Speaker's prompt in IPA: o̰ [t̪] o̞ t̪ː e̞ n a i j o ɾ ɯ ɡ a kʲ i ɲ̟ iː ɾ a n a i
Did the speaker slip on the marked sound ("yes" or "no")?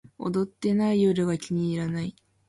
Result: yes